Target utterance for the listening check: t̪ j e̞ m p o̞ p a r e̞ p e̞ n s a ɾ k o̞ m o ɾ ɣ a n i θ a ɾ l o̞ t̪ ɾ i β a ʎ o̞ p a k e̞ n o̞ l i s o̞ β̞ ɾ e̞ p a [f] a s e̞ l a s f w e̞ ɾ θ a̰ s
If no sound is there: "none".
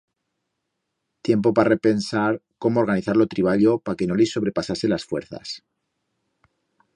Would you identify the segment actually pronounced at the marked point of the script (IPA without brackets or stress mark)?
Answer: s